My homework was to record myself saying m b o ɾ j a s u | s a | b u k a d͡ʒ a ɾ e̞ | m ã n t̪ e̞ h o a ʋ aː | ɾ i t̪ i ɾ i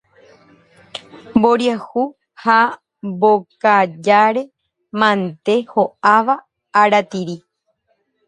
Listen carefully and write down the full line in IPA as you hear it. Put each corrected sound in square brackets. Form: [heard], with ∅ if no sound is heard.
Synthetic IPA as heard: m b o ɾ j a [h] u | [h] a | b [o] k a d͡ʒ a ɾ e̞ | m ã n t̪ e̞ h o a ʋ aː | ɾ [a] t̪ i ɾ i